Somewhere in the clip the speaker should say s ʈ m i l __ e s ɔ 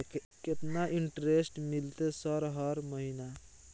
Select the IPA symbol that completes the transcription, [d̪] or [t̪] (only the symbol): t̪